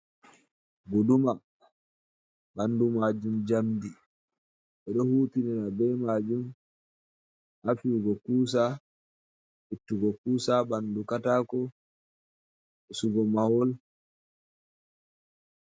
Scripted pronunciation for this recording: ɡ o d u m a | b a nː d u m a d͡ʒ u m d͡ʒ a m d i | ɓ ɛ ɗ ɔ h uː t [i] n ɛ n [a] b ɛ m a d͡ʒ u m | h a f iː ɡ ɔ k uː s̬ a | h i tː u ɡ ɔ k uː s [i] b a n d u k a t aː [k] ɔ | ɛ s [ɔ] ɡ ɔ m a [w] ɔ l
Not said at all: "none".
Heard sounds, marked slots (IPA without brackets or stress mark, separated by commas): i, a, a, k, u, w